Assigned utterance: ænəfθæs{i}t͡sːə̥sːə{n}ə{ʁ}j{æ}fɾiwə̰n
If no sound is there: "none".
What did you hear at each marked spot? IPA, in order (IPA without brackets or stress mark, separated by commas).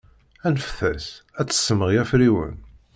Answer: æ, m, ʁ, æ